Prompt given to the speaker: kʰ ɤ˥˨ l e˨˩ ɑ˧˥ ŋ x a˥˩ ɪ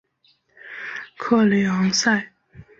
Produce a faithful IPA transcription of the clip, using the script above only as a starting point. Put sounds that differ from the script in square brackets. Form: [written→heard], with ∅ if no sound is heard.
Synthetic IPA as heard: kʰ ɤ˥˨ l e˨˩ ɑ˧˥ ŋ [x→s] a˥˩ ɪ